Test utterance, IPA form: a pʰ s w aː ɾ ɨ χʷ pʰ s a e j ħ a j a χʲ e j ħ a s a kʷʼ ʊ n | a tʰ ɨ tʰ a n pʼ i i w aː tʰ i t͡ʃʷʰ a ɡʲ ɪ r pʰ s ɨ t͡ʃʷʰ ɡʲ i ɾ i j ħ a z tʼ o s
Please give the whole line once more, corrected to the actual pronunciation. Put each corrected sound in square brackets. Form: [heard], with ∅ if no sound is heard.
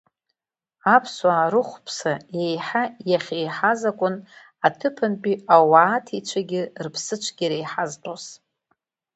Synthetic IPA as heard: a pʰ s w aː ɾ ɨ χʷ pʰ s a e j ħ a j a χʲ e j ħ a [z] a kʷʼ ʊ n | a tʰ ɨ [pʰ] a n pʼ i [a] w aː tʰ i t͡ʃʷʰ a ɡʲ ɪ r pʰ s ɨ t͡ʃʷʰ ɡʲ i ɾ [e] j ħ a z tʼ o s